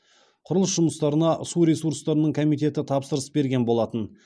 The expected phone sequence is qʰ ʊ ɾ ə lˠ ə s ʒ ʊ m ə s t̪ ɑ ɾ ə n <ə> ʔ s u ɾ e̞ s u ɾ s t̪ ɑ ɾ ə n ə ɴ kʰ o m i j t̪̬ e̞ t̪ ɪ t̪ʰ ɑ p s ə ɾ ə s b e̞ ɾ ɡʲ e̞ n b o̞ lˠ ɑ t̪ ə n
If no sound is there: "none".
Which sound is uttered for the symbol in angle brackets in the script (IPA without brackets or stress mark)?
ɑ